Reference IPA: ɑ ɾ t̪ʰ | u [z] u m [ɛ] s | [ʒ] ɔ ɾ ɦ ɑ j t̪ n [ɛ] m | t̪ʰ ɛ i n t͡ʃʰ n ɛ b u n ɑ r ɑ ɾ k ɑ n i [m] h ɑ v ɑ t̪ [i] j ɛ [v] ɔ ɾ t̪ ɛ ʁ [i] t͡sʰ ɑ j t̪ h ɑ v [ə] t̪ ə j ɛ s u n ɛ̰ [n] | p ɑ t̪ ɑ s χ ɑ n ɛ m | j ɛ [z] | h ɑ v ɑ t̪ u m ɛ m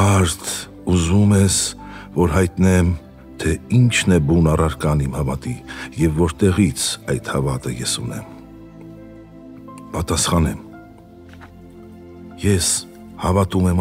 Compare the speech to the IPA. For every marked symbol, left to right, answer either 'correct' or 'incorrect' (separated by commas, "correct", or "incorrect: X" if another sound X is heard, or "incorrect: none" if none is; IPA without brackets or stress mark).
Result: correct, correct, incorrect: v, correct, correct, correct, incorrect: vː, correct, incorrect: ɑ, incorrect: m, incorrect: s